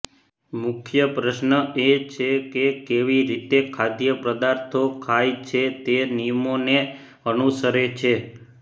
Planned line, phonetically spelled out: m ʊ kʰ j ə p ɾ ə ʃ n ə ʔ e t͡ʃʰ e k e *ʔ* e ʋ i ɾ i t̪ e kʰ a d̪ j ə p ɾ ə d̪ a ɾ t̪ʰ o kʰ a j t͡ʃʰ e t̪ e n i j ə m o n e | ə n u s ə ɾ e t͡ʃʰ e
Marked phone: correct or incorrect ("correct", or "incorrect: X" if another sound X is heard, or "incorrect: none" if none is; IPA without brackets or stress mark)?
incorrect: k